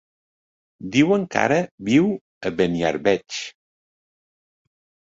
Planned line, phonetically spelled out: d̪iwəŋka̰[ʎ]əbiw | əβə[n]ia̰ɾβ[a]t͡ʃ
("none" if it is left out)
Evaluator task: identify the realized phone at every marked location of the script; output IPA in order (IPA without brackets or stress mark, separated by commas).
ɾ, n, ɛ